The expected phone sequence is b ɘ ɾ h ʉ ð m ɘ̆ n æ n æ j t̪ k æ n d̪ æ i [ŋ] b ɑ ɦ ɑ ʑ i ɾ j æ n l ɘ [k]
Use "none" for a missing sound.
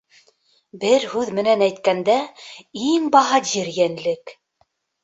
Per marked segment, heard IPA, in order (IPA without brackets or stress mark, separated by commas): ŋ, k